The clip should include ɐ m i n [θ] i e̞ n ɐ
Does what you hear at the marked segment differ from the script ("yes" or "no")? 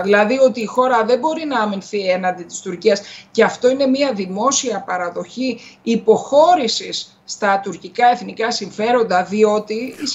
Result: no